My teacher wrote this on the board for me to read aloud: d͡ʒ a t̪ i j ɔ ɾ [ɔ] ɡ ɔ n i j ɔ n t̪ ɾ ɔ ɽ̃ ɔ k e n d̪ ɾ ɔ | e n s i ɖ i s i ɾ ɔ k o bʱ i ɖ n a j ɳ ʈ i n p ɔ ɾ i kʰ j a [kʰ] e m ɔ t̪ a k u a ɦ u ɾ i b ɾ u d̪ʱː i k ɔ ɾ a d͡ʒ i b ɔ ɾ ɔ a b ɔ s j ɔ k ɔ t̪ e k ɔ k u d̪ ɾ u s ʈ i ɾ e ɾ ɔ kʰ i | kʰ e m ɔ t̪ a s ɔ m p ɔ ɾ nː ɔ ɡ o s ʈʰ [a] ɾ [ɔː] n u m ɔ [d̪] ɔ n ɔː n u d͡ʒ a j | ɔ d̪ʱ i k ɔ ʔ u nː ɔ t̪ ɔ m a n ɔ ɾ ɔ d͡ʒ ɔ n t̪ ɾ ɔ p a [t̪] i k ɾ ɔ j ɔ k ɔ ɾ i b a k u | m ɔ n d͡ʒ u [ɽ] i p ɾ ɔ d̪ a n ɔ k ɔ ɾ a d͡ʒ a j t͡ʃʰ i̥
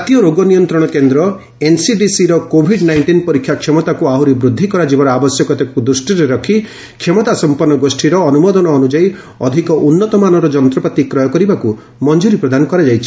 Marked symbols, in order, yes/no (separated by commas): no, yes, no, yes, yes, yes, no